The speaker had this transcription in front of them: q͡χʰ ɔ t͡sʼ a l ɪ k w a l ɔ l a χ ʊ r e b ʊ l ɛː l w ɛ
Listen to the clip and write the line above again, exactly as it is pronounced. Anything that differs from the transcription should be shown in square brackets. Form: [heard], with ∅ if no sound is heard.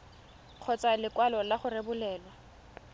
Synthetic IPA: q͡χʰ ɔ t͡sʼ a l ɪ k w a l ɔ l a χ ʊ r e b ʊ l ɛː l w [a]